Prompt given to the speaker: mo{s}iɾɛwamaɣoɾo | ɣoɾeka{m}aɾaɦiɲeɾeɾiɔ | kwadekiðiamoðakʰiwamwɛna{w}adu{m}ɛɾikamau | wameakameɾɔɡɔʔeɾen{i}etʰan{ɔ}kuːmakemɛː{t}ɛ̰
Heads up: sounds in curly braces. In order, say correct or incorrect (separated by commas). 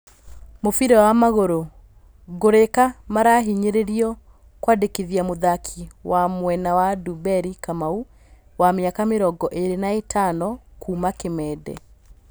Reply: incorrect, correct, correct, incorrect, incorrect, correct, incorrect